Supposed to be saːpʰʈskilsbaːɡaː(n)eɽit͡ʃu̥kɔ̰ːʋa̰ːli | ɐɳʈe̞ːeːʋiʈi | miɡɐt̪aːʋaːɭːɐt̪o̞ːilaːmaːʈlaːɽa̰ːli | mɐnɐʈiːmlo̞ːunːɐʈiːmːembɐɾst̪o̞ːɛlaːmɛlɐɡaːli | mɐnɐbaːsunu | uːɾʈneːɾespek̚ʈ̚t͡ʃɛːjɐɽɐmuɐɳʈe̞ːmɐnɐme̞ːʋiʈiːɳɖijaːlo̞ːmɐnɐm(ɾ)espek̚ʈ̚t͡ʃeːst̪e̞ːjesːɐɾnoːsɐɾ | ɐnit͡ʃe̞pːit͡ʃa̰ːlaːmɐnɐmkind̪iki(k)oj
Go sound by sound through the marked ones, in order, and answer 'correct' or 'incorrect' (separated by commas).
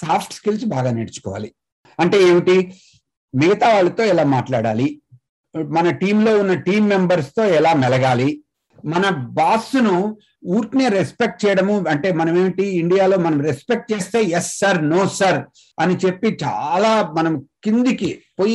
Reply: correct, correct, incorrect